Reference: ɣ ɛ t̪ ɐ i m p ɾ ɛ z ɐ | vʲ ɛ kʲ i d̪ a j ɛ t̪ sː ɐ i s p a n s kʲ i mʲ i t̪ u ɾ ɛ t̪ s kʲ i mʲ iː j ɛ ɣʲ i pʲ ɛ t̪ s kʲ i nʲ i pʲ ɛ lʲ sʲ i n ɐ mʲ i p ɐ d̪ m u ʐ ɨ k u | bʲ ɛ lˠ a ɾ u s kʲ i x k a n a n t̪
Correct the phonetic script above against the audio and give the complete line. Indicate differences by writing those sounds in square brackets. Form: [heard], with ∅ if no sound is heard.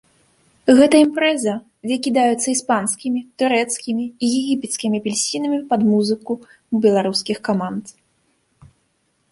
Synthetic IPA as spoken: ɣ ɛ t̪ ɐ i m p ɾ ɛ z ɐ | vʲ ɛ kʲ i d̪ a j ɛ t̪ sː ɐ i s p a n s kʲ i mʲ i t̪ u ɾ ɛ t̪ s kʲ i mʲ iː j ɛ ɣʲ i pʲ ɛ t̪ s kʲ i [mʲ] i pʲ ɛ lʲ sʲ i n ɐ mʲ i p ɐ d̪ m u [z] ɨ k u | bʲ ɛ lˠ a ɾ u s kʲ i x k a [m] a n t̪